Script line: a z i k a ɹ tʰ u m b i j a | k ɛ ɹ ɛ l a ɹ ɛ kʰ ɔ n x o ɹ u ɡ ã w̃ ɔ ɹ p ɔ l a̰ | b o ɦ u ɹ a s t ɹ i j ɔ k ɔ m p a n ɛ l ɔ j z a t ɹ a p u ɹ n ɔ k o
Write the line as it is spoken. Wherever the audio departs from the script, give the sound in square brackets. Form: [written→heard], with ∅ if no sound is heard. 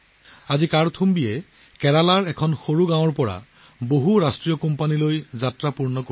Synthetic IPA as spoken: a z i k a ɹ tʰ u m b i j [a→ɛ] | k ɛ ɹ [ɛ→a] l a ɹ ɛ kʰ ɔ n x o ɹ u ɡ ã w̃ ɔ ɹ p ɔ [l→ɹ] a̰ | b o ɦ u ɹ a s t ɹ i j ɔ k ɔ m p a n [ɛ→i] l [ɔ→o] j z a t ɹ a p u ɹ n ɔ k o

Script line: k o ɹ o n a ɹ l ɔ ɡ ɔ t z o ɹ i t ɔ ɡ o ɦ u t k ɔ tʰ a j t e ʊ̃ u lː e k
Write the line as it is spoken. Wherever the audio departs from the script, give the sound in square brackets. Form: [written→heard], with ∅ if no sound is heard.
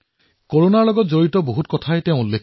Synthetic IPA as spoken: k o ɹ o n a ɹ l ɔ ɡ ɔ t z o ɹ i t ɔ [ɡ→b] o ɦ u t k ɔ tʰ a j t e ʊ̃ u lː e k

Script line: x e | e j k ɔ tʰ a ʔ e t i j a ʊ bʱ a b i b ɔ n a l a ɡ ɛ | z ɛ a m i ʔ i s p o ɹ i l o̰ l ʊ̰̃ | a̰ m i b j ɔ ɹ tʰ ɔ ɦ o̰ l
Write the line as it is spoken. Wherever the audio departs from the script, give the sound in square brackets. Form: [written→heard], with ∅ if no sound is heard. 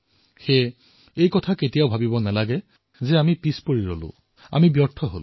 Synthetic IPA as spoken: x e | e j k ɔ tʰ a [ʔ→k] e t i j a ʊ bʱ a b i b ɔ n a l a ɡ ɛ | z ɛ a m i [ʔ→p] i s p o ɹ i [l→ɹ] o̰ l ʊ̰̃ | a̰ m i b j ɔ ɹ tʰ ɔ ɦ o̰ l

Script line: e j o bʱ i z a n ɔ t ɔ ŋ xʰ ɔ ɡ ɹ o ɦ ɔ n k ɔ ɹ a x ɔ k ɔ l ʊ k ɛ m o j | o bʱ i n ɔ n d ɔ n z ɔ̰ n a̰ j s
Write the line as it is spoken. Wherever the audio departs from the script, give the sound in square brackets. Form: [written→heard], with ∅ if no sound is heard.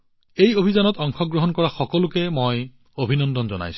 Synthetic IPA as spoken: e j o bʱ i z a n ɔ t ɔ ŋ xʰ ɔ ɡ ɹ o ɦ ɔ n k ɔ ɹ a x ɔ k ɔ l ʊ k ɛ m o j | o bʱ i n ɔ n d ɔ n z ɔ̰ n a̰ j s

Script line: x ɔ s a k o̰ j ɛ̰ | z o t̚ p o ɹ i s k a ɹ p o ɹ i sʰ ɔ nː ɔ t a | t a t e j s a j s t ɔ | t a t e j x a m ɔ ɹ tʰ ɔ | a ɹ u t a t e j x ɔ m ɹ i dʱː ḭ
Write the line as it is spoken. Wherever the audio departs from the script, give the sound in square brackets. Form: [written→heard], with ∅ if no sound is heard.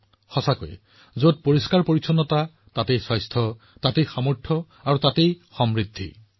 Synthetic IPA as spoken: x ɔ s a k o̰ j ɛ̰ | z o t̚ p o ɹ i s k a ɹ p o ɹ i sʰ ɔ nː ɔ t a | t a t e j s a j s [t→tʰ] ɔ | t a t e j x a m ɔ ɹ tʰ ɔ | a ɹ u t a t e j x ɔ m ɹ i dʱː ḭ

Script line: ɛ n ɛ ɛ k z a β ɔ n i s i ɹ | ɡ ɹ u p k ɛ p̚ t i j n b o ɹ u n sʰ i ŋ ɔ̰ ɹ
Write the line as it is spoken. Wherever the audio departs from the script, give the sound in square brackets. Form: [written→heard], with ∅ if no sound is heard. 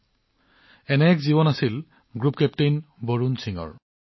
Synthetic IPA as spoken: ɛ n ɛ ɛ k z [a→i] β ɔ n [i→a] s i [ɹ→l] | ɡ ɹ u p k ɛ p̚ t [i→e] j n b o ɹ u n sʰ i ŋ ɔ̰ ɹ

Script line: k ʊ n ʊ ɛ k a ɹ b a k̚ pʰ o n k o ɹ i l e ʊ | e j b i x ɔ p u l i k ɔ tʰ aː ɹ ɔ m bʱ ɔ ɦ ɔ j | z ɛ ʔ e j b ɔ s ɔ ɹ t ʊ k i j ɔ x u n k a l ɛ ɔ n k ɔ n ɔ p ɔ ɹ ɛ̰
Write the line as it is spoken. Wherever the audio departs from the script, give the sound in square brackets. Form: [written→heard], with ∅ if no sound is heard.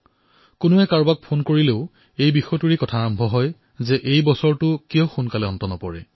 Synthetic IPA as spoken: k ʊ n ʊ ɛ k a ɹ b a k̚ pʰ o n k o ɹ i l e ʊ | e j b i x ɔ [p→t] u [l→ɹ] i k ɔ tʰ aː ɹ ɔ m bʱ ɔ ɦ ɔ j | z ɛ ʔ e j b ɔ s ɔ ɹ t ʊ k i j ɔ x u n k a l ɛ ɔ n [k→t] ɔ n ɔ p ɔ ɹ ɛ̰

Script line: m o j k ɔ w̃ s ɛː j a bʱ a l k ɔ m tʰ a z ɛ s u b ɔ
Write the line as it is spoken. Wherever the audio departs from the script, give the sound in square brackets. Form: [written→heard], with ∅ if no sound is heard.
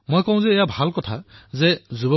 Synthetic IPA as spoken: m o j k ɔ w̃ [s→z] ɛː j a bʱ a l k ɔ [m→∅] tʰ a z ɛ [s→z] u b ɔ

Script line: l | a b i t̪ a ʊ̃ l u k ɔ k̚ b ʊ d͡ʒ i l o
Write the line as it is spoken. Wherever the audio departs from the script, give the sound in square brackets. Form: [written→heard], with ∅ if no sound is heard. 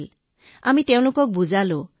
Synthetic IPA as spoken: l | a [b→m] i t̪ [a→e] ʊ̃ l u k ɔ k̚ b [ʊ→u] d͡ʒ [i→a] l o

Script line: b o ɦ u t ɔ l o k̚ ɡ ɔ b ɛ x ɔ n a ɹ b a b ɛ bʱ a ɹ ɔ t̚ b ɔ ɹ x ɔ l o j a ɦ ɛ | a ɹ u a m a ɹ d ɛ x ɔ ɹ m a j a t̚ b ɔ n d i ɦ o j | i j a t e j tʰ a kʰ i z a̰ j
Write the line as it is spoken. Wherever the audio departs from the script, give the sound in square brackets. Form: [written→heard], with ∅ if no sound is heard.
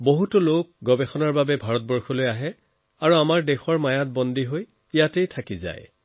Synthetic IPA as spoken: b o ɦ u t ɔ l o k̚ ɡ ɔ b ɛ x ɔ n a ɹ b a b ɛ bʱ a ɹ ɔ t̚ b ɔ ɹ x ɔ l o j a ɦ ɛ | a ɹ u a m a ɹ d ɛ x ɔ ɹ m a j a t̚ b ɔ n d i ɦ o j | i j a t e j tʰ a [kʰ→k] i z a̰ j

